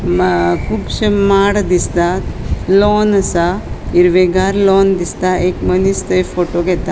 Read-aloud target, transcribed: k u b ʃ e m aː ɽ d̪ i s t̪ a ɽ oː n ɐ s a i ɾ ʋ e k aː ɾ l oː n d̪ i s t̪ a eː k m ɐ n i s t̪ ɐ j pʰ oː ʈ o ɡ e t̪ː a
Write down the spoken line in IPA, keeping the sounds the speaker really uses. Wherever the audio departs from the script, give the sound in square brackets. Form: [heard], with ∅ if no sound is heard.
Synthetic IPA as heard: k u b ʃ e m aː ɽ d̪ i s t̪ a [l] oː n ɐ s a i ɾ ʋ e [ɡ] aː ɾ l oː n d̪ i s t̪ a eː k m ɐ n i s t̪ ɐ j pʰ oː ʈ o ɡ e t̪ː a